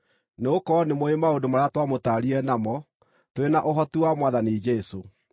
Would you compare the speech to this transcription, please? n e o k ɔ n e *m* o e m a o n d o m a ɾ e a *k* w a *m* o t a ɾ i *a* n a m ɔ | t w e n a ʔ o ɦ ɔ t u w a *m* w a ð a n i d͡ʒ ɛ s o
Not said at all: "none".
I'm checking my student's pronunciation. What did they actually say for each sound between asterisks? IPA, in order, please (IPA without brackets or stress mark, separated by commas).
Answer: m, t, m, ɛ, m